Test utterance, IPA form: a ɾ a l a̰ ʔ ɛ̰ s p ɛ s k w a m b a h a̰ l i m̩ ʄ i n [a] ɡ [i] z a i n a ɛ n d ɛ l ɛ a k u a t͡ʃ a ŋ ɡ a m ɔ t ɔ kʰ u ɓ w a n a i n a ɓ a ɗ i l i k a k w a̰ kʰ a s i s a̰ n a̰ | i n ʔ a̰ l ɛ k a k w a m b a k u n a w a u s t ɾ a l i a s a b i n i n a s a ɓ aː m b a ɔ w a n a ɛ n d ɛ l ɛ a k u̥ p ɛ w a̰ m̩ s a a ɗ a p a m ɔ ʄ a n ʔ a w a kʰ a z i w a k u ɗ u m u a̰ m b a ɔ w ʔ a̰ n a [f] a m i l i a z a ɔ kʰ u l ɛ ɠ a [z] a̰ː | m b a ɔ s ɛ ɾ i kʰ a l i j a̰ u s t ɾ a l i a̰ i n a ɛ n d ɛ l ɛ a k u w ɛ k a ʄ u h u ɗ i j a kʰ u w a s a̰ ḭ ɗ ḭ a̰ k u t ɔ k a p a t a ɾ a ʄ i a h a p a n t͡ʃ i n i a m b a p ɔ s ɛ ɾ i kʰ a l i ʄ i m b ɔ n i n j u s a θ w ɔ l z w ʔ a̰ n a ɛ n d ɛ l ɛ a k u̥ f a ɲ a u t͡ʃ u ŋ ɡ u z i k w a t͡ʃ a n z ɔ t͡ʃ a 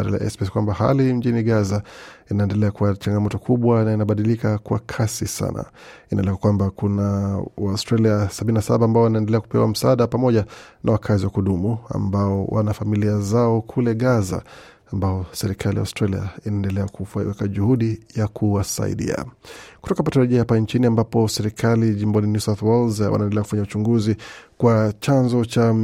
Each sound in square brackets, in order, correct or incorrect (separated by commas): incorrect, incorrect, correct, correct